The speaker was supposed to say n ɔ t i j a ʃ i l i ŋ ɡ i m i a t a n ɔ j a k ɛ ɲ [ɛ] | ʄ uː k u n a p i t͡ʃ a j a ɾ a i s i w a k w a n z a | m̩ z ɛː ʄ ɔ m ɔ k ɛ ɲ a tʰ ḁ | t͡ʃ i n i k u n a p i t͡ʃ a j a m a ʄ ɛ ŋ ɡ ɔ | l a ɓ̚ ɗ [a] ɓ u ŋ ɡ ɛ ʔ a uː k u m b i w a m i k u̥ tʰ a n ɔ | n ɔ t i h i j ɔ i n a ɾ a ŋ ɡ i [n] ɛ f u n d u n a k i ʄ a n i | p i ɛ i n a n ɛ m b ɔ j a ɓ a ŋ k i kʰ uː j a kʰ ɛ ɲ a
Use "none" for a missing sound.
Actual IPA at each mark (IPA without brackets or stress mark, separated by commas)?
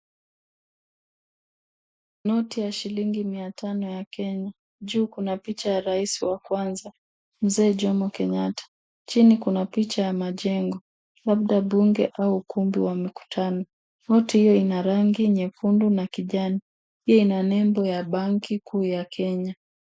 a, a, ɲ